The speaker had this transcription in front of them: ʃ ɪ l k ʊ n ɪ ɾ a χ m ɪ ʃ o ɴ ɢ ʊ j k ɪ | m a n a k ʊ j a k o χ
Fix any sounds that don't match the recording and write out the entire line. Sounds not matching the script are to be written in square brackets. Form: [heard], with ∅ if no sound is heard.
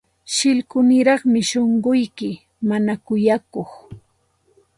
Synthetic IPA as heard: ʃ ɪ l k ʊ n ɪ ɾ [ɑ] χ m ɪ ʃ o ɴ ɢ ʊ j k ɪ | m a n a k ʊ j a k o χ